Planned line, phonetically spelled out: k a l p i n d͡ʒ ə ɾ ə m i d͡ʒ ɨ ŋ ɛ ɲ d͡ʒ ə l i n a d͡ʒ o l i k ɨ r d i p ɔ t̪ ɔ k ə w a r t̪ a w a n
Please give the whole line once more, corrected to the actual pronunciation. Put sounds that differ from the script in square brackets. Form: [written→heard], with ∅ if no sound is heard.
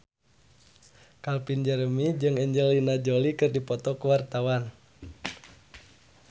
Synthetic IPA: k a l p i n d͡ʒ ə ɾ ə m i d͡ʒ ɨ ŋ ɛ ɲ d͡ʒ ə l i n a d͡ʒ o l i k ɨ r d i p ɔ t̪ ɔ k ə w a r t̪ a w a n